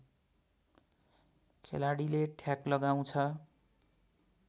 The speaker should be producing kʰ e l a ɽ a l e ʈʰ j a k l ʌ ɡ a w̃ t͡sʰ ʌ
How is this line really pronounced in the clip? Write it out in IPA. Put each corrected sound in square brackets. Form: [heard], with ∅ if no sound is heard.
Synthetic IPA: kʰ e l a ɽ [i] l e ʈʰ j a k l ʌ ɡ a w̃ t͡sʰ ʌ